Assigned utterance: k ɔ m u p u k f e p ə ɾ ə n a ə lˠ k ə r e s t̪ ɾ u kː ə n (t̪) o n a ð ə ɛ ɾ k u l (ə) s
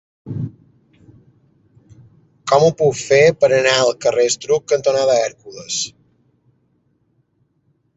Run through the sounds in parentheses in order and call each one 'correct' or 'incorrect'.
correct, correct

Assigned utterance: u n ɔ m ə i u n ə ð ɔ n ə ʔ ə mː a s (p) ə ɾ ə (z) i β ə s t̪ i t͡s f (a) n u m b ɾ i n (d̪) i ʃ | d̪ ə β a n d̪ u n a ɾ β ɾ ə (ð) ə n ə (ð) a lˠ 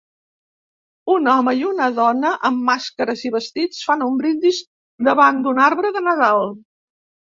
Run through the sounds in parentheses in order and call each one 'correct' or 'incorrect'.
incorrect, correct, correct, correct, correct, correct

